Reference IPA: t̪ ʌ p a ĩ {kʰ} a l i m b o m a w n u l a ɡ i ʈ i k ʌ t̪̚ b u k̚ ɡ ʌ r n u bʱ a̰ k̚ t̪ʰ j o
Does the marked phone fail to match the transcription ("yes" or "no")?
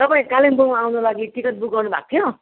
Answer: yes